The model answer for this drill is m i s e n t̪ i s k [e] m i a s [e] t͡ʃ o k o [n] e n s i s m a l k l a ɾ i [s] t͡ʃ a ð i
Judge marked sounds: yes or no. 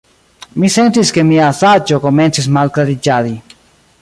yes, no, no, no

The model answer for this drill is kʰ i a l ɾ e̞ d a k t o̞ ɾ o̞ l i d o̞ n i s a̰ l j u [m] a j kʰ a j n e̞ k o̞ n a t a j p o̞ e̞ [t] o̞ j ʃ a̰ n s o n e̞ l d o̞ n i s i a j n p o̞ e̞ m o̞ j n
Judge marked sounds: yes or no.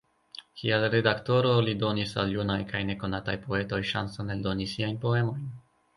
no, yes

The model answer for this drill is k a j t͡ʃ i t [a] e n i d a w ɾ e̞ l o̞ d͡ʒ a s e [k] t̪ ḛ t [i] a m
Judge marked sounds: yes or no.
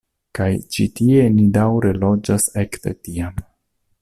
no, yes, yes

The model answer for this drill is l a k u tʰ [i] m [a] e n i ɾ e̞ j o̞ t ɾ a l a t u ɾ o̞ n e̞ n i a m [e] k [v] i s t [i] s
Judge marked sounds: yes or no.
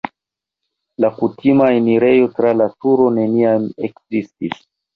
yes, yes, yes, no, yes

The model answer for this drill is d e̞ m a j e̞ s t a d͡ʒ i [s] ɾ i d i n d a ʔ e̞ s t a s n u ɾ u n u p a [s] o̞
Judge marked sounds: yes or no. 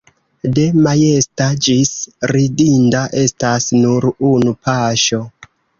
yes, no

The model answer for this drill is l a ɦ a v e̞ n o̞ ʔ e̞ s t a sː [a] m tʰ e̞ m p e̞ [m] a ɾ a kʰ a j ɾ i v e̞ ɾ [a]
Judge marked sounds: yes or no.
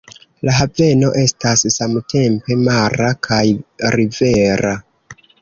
yes, yes, yes

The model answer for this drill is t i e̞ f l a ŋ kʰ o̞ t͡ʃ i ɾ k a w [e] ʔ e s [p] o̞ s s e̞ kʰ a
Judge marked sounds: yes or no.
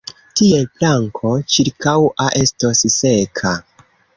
no, no

